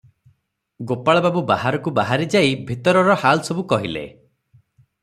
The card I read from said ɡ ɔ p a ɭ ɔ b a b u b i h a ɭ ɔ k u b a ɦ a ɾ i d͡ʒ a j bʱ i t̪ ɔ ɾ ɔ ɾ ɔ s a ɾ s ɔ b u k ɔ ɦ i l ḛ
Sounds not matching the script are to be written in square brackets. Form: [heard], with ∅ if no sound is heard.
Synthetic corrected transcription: ɡ [o] p a ɭ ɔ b a b u b [a] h a [ɾ] ɔ k u b a ɦ a ɾ i d͡ʒ a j bʱ i t̪ ɔ ɾ ɔ ɾ ɔ [h] a [l] s ɔ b u k ɔ ɦ i l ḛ